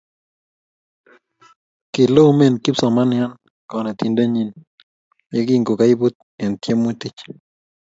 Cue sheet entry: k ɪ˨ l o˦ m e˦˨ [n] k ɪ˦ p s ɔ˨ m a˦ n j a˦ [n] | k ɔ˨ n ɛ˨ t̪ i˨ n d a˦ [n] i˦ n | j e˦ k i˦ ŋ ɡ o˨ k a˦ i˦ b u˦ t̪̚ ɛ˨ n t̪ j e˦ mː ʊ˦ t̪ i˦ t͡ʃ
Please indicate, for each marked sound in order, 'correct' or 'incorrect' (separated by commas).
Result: correct, correct, incorrect